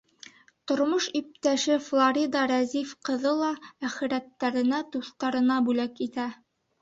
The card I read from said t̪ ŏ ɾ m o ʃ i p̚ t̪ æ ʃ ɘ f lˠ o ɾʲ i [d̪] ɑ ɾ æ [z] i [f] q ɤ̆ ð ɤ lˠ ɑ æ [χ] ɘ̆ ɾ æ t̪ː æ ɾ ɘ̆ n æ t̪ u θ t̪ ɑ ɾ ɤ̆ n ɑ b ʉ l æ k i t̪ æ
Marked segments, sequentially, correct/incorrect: correct, correct, correct, correct

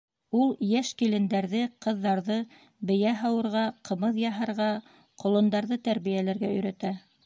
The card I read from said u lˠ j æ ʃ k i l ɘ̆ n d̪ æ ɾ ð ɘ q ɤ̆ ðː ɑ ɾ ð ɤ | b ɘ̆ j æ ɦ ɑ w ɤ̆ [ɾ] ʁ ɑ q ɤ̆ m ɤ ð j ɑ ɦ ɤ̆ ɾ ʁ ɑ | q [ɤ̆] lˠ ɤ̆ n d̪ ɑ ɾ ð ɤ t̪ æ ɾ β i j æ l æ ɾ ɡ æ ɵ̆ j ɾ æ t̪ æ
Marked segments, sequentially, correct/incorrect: correct, incorrect: ŏ

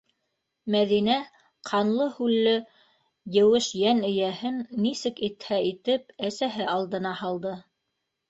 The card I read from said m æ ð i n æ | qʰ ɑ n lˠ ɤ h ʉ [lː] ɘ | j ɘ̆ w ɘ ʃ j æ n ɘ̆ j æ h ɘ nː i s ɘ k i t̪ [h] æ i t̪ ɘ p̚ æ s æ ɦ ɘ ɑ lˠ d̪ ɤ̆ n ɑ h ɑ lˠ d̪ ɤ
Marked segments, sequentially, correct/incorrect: correct, correct

